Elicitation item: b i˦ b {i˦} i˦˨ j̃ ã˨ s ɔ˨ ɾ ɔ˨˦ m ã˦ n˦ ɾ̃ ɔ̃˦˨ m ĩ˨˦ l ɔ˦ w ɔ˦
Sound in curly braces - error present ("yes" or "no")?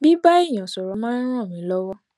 yes